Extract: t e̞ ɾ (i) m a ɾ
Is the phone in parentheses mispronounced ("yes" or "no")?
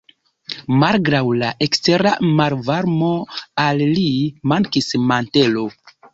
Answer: yes